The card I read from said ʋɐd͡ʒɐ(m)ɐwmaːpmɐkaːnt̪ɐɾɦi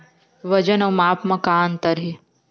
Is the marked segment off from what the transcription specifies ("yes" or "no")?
yes